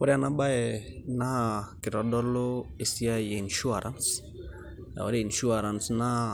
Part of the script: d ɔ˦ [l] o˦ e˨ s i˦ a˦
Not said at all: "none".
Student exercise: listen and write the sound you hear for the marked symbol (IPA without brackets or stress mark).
l